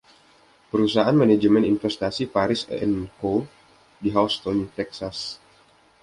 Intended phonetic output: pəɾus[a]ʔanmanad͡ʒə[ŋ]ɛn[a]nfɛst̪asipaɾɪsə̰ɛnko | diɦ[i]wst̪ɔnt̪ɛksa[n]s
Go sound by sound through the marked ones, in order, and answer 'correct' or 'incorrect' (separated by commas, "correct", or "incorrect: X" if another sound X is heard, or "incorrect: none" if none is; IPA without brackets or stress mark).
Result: correct, incorrect: m, incorrect: i, incorrect: a, incorrect: none